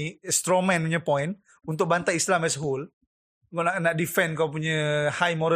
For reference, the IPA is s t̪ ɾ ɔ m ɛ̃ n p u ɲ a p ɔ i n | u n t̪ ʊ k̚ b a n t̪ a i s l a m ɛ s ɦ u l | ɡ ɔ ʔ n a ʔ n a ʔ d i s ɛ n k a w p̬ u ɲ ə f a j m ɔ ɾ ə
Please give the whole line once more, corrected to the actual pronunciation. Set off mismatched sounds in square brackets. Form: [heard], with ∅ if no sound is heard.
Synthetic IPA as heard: s t̪ ɾ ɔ m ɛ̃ n p u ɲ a p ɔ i n | u n t̪ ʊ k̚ b a n t̪ a i s l a m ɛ s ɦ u l | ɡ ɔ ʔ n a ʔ n a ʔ d i [f] ɛ n k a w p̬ u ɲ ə [h] a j m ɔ ɾ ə